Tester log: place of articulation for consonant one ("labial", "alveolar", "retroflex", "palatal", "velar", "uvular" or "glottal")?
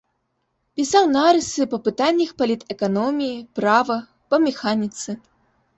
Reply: labial